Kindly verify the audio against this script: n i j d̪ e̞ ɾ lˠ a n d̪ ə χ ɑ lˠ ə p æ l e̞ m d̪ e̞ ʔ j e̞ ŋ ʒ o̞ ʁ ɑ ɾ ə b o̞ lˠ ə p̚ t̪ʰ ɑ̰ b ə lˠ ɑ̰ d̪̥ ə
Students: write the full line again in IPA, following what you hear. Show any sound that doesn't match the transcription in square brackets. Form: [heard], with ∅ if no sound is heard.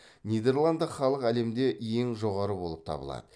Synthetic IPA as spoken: n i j d̪ e̞ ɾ lˠ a n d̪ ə χ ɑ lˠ ə [q] æ l e̞ m d̪ e̞ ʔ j e̞ ŋ ʒ o̞ ʁ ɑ ɾ ə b o̞ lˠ ə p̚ t̪ʰ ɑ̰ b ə lˠ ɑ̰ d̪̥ ə